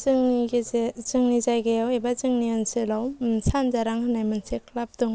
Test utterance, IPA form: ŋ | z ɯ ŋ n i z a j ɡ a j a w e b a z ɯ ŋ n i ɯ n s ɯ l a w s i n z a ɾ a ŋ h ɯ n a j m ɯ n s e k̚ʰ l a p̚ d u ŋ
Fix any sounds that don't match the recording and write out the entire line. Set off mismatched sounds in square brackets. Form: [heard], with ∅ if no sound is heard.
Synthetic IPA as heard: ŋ | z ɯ ŋ n i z a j ɡ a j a w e b a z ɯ ŋ n i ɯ n s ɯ l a w s [a] n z a ɾ a ŋ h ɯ n a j m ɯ n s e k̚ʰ l a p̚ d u ŋ